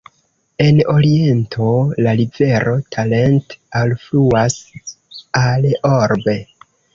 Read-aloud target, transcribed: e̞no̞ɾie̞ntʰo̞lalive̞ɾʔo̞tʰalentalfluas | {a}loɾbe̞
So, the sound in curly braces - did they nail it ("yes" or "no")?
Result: yes